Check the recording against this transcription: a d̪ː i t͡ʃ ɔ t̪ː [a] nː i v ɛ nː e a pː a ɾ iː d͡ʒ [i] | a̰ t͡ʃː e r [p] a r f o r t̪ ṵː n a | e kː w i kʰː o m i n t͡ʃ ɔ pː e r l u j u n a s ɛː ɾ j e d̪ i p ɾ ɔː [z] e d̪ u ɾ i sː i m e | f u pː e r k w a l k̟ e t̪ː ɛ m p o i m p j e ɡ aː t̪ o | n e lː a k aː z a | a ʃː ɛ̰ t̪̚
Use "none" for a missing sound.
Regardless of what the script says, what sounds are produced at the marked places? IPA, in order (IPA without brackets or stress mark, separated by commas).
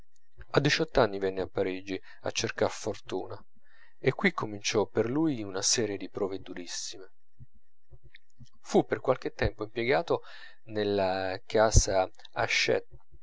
a, i, k, v